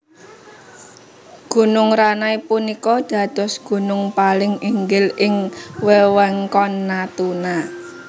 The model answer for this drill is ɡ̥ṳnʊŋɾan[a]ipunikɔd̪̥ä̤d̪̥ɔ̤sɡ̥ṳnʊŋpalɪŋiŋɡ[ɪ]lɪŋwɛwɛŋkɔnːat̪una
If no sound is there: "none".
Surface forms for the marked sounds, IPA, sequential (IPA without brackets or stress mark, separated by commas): a, ɪ